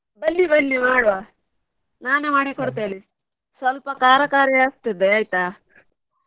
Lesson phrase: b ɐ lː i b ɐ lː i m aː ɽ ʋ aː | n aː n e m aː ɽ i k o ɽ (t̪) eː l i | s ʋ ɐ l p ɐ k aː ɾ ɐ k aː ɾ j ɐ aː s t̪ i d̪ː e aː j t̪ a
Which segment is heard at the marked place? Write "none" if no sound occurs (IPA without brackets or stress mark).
t̪